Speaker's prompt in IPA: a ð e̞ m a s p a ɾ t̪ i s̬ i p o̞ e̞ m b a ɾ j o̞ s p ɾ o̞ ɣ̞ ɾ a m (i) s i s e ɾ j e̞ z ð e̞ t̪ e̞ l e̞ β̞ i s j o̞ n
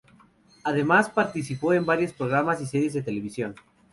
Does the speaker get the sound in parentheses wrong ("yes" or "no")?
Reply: yes